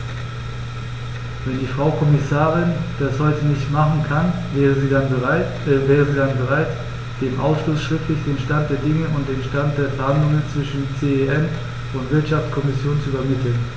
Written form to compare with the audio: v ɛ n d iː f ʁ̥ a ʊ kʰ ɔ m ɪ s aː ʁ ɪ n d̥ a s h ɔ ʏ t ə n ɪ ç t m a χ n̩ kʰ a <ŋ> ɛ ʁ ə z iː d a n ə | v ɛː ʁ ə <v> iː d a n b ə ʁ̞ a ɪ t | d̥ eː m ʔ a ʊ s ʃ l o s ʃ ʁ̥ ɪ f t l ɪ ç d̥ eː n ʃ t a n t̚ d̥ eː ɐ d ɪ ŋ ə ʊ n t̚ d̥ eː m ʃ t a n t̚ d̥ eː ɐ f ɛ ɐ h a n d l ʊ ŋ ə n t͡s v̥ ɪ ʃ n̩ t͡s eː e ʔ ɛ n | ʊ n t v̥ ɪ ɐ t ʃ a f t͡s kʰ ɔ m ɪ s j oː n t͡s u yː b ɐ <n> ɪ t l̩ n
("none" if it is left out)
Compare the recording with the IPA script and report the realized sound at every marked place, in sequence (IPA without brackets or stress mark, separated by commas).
n, z, m